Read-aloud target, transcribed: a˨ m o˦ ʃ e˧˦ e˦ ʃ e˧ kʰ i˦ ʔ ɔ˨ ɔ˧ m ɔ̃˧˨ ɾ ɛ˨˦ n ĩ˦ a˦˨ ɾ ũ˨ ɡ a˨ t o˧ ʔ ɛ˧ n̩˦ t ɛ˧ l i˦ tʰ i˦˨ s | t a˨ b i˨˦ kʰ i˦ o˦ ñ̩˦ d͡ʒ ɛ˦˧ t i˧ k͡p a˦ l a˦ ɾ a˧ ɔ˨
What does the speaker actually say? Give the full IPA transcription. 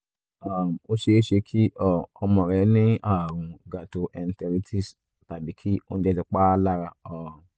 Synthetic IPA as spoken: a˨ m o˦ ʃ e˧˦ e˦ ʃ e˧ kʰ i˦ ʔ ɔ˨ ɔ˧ m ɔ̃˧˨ ɾ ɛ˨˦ n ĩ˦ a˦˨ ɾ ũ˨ ɡ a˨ t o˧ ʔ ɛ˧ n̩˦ t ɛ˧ ɾ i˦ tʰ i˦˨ s | t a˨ b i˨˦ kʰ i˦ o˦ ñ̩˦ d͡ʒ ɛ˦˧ t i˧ k͡p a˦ l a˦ ɾ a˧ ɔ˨